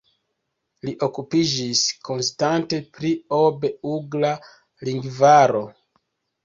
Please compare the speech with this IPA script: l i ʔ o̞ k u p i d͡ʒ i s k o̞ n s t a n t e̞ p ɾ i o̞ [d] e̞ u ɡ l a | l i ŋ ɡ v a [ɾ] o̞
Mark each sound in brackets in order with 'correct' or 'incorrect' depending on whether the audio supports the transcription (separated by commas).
incorrect, correct